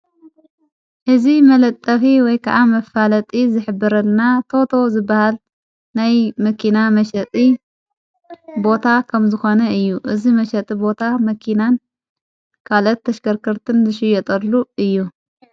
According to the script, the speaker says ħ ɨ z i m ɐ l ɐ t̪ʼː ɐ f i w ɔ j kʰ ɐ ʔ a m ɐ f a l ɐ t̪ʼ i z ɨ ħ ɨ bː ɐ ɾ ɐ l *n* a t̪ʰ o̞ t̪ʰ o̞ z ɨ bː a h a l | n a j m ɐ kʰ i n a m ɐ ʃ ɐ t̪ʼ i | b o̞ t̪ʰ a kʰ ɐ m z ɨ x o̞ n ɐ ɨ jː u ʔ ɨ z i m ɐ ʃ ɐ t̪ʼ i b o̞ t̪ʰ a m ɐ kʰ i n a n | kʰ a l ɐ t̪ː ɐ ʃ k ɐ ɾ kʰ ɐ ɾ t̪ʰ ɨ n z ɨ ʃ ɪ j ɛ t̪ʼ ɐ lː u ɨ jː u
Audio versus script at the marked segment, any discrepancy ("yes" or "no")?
no